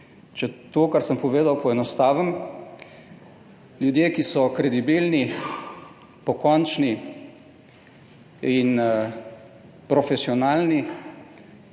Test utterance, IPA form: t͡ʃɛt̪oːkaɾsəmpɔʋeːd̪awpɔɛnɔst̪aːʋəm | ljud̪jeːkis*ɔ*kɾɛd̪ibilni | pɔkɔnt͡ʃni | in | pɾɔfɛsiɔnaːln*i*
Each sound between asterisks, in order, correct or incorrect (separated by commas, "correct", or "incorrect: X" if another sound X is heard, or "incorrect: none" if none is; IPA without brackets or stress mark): correct, correct